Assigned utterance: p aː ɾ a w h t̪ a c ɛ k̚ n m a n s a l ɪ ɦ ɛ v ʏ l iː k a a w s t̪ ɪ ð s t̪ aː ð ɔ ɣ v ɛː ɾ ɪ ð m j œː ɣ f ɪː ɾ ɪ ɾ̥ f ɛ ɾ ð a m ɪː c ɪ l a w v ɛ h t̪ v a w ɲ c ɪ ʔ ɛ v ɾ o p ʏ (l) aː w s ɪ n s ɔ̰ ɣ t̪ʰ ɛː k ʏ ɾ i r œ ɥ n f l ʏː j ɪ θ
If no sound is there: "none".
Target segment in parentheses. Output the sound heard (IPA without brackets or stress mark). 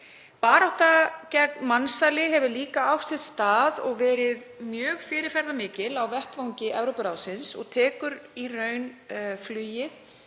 ɾ